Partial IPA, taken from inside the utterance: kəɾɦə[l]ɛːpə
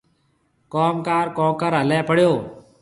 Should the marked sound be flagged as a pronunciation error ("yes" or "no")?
no